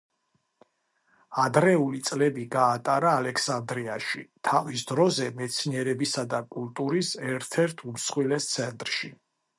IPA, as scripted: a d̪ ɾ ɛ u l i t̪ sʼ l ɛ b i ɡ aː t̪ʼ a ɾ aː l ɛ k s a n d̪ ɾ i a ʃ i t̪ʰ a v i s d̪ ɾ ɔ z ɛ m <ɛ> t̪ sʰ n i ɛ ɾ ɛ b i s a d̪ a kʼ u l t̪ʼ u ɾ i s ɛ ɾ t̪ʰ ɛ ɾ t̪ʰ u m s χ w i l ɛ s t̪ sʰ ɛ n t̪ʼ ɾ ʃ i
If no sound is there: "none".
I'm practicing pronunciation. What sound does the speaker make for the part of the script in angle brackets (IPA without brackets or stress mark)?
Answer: ɛ